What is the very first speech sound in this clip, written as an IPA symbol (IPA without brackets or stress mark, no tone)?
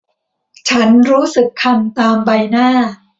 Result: t͡ɕʰ